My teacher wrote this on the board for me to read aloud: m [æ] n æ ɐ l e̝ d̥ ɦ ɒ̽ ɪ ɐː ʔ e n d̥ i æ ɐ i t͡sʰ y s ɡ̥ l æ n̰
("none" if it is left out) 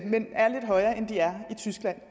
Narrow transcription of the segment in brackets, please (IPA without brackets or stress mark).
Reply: e